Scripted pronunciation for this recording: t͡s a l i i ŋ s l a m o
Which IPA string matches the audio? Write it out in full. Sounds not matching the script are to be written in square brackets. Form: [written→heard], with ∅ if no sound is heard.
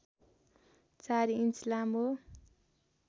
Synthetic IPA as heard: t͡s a [l→ɾ] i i [ŋ→n] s l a m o